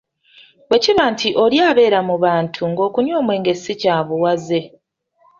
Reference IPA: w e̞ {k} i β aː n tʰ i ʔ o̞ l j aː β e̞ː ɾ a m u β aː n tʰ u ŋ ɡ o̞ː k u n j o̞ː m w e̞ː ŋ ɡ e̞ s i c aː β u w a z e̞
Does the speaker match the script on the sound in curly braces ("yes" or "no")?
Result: no